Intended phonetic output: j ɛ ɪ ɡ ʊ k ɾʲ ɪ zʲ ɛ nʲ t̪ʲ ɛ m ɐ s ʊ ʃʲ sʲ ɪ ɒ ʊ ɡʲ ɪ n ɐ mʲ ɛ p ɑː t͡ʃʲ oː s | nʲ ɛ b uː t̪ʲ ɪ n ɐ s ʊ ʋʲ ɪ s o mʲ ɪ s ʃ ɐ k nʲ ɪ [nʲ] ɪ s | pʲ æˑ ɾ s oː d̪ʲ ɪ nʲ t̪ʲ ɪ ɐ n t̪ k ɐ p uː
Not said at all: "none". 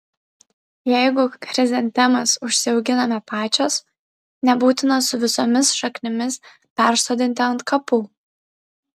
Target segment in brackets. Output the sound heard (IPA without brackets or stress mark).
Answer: mʲ